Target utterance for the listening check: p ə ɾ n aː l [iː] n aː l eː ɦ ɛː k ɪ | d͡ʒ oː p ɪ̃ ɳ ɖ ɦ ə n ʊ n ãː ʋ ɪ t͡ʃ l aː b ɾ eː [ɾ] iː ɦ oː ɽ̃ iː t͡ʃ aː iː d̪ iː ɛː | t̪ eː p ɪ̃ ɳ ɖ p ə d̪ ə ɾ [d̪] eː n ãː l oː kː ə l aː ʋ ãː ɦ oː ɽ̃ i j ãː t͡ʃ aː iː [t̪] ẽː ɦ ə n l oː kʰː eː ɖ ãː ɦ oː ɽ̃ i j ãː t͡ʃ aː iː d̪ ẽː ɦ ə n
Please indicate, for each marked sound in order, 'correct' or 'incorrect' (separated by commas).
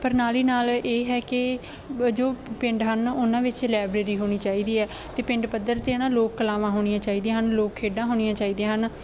correct, correct, incorrect, incorrect